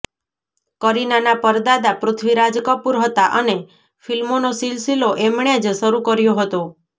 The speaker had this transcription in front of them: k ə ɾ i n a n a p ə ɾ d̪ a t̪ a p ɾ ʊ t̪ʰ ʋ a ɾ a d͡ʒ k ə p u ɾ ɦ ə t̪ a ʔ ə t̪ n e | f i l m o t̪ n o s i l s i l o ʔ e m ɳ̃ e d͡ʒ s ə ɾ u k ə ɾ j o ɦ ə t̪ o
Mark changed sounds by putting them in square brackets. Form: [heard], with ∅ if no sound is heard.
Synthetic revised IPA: k ə ɾ i n a n a p ə ɾ d̪ a [d̪] a p ɾ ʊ t̪ʰ ʋ [i] ɾ a d͡ʒ k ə p u ɾ ɦ ə t̪ a ʔ ə [∅] n e | f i l m o [∅] n o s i l s i l o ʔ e m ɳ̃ e d͡ʒ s ə ɾ u k ə ɾ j o ɦ ə t̪ o

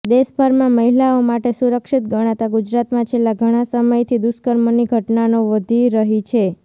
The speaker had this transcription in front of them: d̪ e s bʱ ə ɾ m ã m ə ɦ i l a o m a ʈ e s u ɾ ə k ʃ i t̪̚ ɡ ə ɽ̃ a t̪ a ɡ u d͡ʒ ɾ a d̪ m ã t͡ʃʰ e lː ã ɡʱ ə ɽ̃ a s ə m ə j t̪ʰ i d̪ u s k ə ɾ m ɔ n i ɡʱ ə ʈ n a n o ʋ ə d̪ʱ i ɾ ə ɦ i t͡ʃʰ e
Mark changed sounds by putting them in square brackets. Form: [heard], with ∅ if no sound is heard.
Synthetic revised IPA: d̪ e s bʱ ə ɾ m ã m ə ɦ i l a o m a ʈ e s u ɾ ə k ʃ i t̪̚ ɡ ə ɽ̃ a t̪ a ɡ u d͡ʒ ɾ a [t̪] m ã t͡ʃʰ e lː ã ɡʱ ə ɽ̃ a s ə m ə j t̪ʰ i d̪ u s k ə ɾ m [o] n i ɡʱ ə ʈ n a n o ʋ ə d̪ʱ i ɾ ə ɦ i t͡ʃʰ e

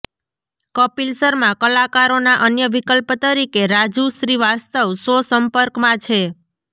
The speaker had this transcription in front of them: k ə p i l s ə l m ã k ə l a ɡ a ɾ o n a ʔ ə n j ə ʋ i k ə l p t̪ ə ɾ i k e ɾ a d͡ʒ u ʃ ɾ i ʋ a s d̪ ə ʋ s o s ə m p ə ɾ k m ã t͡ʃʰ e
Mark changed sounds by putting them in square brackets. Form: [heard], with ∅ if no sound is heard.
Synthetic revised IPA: k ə p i l s ə [ɾ] m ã k ə l a [k] a ɾ o n a ʔ ə n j ə ʋ i k ə l p t̪ ə ɾ i k e ɾ a d͡ʒ u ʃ ɾ i ʋ a s [t̪] ə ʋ s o s ə m p ə ɾ k m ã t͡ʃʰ e

